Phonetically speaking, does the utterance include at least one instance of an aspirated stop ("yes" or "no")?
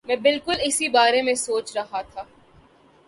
yes